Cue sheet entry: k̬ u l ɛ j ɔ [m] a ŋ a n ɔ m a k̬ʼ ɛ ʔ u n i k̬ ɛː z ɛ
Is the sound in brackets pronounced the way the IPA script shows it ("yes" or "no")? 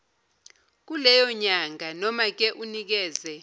no